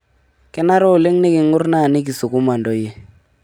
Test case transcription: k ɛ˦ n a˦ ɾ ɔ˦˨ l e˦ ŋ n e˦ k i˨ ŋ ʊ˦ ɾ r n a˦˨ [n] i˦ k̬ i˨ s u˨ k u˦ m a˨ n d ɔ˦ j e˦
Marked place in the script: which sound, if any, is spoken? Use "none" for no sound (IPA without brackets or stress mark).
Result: n